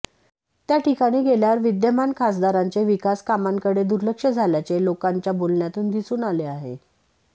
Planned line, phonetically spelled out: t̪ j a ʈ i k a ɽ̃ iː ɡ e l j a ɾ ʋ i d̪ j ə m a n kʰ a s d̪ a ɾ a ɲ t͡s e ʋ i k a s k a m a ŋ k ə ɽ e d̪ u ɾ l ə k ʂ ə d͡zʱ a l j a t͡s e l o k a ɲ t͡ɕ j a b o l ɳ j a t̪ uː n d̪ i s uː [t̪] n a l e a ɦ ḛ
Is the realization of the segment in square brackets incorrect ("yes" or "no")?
yes